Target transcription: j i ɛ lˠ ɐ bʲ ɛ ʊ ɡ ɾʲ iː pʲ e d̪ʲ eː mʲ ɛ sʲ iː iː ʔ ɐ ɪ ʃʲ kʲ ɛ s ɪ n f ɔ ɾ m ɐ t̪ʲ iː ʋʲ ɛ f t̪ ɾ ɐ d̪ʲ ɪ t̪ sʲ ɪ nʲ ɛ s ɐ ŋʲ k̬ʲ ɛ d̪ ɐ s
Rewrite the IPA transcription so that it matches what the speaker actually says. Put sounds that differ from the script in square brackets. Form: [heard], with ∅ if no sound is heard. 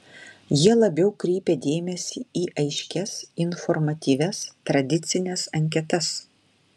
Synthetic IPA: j i ɛ lˠ ɐ bʲ ɛ ʊ [k] ɾʲ iː pʲ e d̪ʲ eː mʲ ɛ sʲ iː iː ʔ ɐ ɪ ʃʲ kʲ ɛ s ɪ n f ɔ ɾ m ɐ t̪ʲ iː ʋʲ ɛ [s] t̪ ɾ ɐ d̪ʲ ɪ t̪ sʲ ɪ nʲ ɛ s ɐ ŋʲ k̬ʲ ɛ [t̪] ɐ s